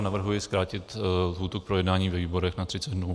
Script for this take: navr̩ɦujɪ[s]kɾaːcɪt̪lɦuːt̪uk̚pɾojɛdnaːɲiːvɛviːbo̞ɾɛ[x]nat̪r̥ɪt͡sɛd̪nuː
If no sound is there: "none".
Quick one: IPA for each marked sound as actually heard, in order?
s, x

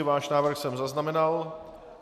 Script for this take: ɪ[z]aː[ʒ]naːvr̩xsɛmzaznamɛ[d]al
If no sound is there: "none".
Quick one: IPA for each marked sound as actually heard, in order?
v, ʃ, n

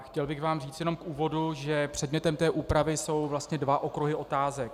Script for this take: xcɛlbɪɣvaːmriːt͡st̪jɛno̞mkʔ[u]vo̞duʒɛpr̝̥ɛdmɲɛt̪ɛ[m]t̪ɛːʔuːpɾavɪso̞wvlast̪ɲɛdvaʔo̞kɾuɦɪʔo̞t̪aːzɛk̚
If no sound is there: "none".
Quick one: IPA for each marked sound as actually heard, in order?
uː, m

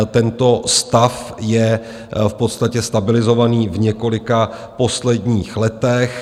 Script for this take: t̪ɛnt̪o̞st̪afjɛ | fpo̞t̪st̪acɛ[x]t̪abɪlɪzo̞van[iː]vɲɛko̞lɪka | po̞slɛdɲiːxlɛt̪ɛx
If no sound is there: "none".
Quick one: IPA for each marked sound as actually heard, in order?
s, iː

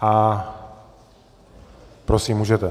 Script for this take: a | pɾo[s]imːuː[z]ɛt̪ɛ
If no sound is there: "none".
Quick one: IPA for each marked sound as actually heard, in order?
s, ʒ

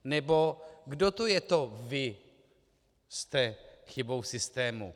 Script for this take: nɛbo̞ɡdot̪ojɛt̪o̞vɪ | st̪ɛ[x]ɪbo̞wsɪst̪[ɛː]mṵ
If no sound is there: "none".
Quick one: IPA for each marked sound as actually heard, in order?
x, ɛː

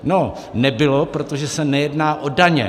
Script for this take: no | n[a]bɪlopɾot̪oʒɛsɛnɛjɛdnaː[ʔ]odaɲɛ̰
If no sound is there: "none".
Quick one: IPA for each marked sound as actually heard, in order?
ɛ, ʔ

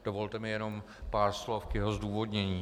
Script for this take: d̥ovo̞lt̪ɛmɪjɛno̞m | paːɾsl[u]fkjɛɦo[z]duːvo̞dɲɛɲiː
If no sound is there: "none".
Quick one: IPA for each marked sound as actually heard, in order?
o, z

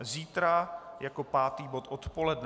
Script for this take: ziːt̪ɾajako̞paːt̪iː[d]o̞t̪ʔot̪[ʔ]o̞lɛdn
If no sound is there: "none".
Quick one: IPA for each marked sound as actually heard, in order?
b, p

